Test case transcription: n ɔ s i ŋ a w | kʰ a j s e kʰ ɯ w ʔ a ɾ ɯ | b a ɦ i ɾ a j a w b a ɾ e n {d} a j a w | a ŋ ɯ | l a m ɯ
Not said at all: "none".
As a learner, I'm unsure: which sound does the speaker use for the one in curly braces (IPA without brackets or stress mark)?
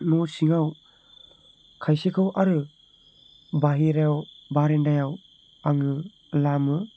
d